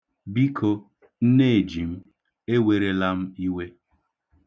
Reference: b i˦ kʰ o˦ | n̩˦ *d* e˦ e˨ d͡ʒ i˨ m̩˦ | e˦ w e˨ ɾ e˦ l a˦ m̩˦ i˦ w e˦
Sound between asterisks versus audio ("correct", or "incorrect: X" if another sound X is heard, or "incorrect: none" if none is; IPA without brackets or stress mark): incorrect: n